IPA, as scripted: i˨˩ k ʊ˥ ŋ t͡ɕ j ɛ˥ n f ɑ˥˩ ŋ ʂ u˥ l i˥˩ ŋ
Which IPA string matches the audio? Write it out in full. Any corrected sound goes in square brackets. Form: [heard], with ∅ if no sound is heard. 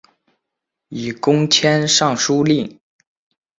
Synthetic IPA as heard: i˨˩ k ʊ˥ ŋ [t͡ɕʰ] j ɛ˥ n [ʂ] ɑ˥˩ ŋ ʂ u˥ l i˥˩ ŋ